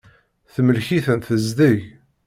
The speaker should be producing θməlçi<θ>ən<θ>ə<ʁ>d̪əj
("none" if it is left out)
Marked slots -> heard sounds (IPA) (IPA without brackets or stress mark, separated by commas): θ, θ, z